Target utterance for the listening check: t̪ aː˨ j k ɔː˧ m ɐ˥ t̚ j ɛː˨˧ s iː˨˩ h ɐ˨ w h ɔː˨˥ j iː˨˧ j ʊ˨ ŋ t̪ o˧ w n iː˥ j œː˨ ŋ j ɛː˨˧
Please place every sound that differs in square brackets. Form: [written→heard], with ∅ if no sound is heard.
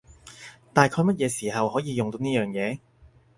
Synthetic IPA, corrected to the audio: t̪ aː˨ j [k→kʰ] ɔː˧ m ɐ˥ t̚ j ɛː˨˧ s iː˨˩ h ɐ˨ w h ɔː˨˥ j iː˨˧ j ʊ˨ ŋ t̪ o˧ w n iː˥ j œː˨ ŋ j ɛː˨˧